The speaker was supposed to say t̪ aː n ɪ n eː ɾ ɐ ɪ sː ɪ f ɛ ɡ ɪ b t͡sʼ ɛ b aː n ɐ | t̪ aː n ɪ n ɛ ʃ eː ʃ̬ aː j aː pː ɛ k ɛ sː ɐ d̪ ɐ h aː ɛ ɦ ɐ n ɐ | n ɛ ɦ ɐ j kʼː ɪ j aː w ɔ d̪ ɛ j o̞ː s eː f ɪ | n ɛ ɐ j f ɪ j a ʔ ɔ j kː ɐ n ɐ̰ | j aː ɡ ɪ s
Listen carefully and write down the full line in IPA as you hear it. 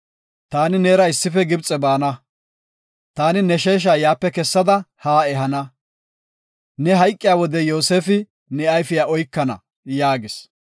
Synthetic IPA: t̪ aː n ɪ n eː ɾ ɐ ɪ sː ɪ f ɛ ɡ ɪ b t͡sʼ ɛ b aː n ɐ | t̪ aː n ɪ n ɛ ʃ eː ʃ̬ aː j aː pː ɛ k ɛ sː ɐ d̪ ɐ h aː ɛ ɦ ɐ n ɐ | n ɛ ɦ ɐ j kʼː ɪ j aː w ɔ d̪ ɛ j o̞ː s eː f ɪ | n ɛ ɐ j f ɪ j a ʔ ɔ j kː ɐ n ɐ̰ | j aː ɡ ɪ s